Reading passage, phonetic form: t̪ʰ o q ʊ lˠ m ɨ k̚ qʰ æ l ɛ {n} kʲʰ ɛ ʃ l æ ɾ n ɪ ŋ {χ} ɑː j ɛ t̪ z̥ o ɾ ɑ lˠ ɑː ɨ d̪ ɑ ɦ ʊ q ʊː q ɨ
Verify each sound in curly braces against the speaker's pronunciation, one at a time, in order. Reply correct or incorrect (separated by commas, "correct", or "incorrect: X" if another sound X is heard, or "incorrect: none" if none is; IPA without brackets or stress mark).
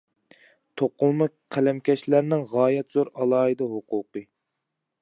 incorrect: m, incorrect: ʁ